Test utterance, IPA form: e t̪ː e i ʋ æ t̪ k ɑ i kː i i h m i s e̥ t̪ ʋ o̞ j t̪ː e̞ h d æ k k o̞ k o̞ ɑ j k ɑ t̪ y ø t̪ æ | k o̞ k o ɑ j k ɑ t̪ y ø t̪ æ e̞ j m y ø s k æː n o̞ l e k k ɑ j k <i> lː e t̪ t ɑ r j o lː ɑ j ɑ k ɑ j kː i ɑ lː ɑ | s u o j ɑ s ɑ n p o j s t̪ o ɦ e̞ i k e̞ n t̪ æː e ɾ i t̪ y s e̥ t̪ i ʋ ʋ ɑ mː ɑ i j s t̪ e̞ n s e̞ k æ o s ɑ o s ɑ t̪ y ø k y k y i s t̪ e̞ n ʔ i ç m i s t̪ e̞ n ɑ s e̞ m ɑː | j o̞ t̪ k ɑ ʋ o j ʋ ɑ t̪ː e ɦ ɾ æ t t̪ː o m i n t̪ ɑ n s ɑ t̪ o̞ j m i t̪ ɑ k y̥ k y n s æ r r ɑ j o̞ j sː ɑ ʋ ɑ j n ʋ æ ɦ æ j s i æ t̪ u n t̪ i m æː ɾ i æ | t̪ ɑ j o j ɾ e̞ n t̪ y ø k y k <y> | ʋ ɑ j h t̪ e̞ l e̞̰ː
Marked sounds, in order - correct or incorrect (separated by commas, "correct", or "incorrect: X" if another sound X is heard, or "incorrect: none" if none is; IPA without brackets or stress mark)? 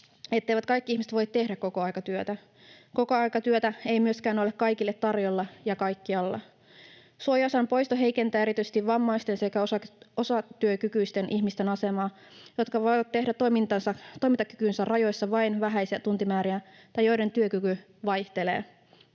correct, correct